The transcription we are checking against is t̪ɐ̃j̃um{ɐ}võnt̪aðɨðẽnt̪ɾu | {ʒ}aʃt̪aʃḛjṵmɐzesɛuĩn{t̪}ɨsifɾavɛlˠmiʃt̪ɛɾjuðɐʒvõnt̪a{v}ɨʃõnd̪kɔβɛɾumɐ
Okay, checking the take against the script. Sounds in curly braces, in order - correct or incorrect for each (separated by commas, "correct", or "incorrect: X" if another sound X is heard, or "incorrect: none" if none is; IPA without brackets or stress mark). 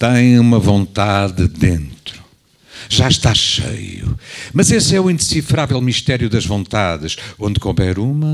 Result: correct, correct, incorrect: d̪, incorrect: ð